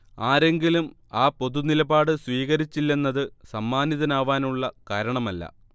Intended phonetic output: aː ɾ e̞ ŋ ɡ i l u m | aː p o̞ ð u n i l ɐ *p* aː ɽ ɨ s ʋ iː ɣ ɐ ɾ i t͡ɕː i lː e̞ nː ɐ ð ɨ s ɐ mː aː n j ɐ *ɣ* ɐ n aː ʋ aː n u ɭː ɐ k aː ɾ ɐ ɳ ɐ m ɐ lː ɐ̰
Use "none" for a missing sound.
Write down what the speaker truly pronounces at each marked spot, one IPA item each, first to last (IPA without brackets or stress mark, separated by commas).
b, ð